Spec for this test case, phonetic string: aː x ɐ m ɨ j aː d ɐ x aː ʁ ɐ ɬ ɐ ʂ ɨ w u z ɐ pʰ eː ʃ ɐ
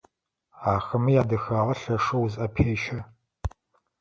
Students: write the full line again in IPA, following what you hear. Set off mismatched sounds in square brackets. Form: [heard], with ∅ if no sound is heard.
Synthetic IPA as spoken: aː x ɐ m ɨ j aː d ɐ x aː ʁ ɐ ɬ ɐ ʂ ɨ w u z ɐ pʰ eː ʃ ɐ